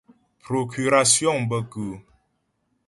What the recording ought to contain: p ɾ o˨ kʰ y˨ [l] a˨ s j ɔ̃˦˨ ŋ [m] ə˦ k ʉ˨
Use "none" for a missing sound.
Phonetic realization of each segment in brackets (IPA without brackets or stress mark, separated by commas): ɾ, b